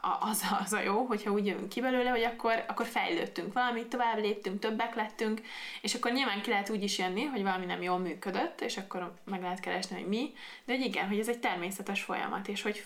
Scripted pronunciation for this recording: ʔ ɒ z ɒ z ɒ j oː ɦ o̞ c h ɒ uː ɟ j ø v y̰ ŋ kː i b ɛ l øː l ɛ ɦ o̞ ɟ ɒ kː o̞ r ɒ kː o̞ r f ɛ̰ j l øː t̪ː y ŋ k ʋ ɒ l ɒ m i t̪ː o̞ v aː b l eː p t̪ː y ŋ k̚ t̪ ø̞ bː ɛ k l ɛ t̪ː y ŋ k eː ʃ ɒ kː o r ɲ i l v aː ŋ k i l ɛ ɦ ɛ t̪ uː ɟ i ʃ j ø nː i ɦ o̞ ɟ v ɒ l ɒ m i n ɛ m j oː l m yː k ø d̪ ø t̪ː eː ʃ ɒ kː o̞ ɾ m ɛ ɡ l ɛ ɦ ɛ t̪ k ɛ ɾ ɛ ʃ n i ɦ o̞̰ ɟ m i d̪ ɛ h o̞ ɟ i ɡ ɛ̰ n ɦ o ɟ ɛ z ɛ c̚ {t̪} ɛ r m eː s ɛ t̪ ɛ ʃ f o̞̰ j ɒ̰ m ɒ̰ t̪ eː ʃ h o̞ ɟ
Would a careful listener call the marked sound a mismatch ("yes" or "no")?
no